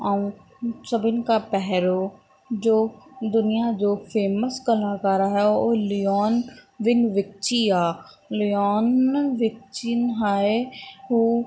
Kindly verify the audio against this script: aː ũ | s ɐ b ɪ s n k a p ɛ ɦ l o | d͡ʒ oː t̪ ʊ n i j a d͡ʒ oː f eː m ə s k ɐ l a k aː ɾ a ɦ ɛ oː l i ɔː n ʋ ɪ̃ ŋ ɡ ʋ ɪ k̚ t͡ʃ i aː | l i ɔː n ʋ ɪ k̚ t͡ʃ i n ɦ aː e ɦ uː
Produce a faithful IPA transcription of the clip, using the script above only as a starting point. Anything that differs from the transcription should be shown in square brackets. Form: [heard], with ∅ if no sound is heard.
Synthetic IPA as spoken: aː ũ | s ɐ b ɪ [∅] n k a p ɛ ɦ [ɾ] o | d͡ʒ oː [d̪] ʊ n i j a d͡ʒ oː f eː m ə s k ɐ l a k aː ɾ a ɦ ɛ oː l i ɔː n ʋ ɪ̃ ŋ ɡ ʋ ɪ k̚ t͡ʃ i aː | l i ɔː n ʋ ɪ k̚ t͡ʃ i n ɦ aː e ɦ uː